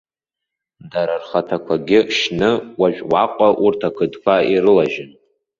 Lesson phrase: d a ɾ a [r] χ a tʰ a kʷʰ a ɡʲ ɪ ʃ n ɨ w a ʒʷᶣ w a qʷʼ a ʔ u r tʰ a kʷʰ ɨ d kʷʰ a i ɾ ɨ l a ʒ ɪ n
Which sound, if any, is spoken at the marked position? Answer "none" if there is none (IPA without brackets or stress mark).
r